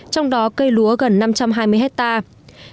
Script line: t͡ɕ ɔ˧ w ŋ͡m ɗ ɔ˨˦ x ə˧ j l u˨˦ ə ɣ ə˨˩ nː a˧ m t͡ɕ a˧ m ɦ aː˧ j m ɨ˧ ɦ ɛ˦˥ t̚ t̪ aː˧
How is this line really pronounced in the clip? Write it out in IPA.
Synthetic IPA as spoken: t͡ɕ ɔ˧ w ŋ͡m ɗ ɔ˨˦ k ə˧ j l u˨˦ ə ɣ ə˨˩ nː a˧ m t͡ɕ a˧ m ɦ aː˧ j m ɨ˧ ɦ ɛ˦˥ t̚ t̪ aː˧